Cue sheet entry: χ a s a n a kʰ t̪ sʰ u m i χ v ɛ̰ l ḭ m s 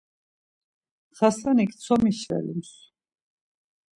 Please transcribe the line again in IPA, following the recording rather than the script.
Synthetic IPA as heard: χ a s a n i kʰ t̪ sʰ ɔ m i ʃ v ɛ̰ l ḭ m s